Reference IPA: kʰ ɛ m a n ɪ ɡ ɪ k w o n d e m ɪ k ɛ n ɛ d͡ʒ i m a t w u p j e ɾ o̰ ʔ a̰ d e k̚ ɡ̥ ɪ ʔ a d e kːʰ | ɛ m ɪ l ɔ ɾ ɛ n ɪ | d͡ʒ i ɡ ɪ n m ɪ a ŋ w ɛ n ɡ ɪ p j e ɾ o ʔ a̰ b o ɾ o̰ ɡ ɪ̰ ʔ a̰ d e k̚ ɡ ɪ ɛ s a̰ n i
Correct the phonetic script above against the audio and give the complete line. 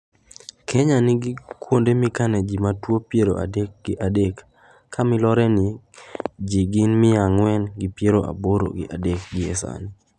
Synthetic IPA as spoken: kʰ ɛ ɲ a n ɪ ɡ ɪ k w o n d e m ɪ k a n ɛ d͡ʒ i m a t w o p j e ɾ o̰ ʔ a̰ d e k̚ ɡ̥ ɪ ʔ a d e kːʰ | a m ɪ l ɔ ɾ ɛ n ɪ | d͡ʒ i ɡ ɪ n m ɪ a ŋ w ɛ n ɡ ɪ p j e ɾ o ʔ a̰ b o ɾ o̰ ɡ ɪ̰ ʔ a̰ d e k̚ ɡ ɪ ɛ s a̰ n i